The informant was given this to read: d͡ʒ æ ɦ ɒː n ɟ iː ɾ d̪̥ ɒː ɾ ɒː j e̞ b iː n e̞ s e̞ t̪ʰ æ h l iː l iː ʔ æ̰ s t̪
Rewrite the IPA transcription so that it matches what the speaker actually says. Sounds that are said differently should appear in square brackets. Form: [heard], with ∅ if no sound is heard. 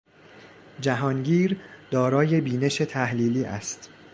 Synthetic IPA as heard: d͡ʒ æ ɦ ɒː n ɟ iː ɾ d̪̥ ɒː ɾ ɒː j e̞ b iː n e̞ [ʃ] e̞ t̪ʰ æ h l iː l iː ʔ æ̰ s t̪